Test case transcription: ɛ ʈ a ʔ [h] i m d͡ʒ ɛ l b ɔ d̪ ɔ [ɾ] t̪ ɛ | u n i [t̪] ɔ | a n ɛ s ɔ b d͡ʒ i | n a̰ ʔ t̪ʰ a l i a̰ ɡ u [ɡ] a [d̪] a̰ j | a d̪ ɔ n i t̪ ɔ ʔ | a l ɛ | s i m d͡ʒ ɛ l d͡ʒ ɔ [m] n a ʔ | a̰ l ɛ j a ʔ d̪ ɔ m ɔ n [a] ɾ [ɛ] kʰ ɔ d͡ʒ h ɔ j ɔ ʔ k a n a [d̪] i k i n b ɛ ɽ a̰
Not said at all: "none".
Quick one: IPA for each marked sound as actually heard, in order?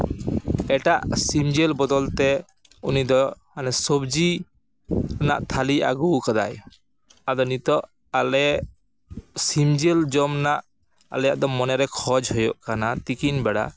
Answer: s, l, d̪, k, d̪, m, ɛ, ɛ, t̪

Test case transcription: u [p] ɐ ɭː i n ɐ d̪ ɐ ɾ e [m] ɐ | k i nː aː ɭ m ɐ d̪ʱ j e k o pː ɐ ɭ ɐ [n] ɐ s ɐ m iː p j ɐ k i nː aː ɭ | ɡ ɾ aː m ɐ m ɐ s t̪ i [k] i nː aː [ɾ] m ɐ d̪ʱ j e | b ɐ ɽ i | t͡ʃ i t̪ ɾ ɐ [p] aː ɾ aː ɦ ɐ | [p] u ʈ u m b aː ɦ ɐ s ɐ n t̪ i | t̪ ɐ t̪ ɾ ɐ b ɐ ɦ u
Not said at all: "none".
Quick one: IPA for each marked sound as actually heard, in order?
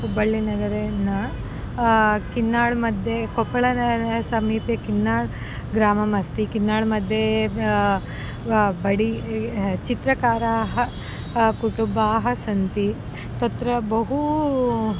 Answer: b, n, n, k, ɭ, k, k

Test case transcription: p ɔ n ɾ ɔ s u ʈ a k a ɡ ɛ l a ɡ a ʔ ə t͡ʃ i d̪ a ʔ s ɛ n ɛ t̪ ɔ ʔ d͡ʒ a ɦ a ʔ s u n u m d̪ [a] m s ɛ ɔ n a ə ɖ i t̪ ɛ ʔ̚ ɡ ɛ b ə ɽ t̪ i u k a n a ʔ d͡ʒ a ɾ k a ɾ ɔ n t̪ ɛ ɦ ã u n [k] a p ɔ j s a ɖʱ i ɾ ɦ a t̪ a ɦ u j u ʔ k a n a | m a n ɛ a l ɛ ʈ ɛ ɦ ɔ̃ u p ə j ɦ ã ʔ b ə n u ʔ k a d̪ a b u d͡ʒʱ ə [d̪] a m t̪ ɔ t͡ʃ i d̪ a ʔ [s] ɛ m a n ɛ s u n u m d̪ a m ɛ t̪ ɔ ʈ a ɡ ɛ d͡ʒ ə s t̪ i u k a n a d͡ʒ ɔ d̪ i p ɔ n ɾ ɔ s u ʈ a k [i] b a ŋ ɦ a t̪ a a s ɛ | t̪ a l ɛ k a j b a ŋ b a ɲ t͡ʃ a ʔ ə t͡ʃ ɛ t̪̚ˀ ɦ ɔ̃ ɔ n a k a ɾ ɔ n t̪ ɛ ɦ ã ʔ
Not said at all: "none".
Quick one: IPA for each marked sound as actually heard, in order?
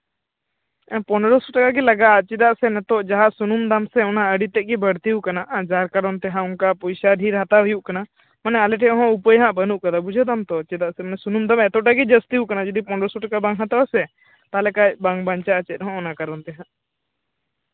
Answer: a, k, d̪, s, a

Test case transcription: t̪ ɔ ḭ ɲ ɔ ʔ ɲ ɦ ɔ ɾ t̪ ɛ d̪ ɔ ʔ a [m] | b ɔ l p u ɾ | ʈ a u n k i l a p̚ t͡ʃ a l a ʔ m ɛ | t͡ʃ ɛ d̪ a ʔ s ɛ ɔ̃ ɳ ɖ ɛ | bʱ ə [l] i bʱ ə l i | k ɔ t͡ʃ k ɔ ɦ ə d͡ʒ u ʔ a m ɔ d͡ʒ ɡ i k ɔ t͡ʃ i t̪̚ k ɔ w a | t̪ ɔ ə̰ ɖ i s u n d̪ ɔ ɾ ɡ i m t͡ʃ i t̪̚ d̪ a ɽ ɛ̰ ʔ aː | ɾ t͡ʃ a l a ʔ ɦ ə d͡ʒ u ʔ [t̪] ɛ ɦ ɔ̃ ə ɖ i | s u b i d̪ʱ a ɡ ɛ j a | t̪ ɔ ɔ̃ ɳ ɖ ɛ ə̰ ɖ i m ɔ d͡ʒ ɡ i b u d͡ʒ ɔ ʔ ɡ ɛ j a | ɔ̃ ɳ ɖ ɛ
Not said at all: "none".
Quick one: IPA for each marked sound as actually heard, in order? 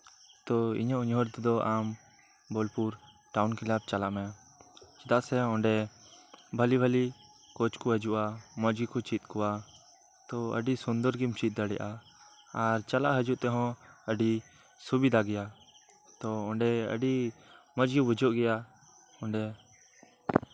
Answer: m, l, t̪

